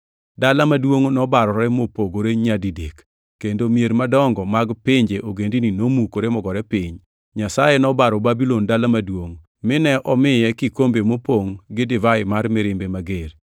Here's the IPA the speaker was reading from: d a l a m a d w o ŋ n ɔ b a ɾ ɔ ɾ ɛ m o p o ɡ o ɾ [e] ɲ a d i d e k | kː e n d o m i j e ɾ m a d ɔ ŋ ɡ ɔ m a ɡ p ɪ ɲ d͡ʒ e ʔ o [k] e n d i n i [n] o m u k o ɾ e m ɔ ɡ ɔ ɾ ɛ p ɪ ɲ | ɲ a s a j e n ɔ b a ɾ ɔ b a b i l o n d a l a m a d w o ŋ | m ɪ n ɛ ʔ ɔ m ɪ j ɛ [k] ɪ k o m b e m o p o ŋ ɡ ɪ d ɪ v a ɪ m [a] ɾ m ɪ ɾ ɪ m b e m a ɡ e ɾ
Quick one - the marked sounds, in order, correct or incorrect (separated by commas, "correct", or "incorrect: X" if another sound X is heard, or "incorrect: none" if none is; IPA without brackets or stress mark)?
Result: correct, incorrect: ɡ, correct, correct, correct